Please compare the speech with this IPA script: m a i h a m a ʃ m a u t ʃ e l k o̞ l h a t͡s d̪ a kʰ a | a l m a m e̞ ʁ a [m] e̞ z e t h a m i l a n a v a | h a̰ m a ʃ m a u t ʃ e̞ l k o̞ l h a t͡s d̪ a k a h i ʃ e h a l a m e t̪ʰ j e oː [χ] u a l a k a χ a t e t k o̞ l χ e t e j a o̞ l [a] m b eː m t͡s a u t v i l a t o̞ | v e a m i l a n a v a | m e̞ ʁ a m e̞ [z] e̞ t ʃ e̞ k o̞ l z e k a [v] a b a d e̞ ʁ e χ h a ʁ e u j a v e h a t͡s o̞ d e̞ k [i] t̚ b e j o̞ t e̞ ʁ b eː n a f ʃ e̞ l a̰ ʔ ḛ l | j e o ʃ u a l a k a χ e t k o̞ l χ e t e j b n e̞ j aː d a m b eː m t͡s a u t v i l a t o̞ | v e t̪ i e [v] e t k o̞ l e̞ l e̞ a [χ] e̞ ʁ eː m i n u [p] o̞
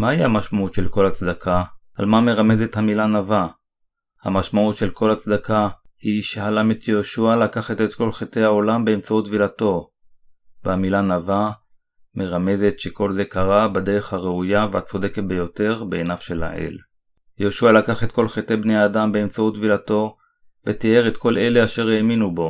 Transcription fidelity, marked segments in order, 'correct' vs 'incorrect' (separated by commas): correct, incorrect, correct, correct, incorrect, incorrect, incorrect, incorrect, incorrect